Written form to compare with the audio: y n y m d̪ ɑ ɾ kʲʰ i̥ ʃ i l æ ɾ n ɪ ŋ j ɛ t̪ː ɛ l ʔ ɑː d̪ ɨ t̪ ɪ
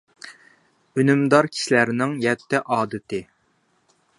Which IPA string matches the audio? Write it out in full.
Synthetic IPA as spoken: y n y m d̪ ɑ ɾ kʲʰ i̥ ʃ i l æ ɾ n ɪ ŋ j ɛ t̪ː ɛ ʔ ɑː d̪ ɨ t̪ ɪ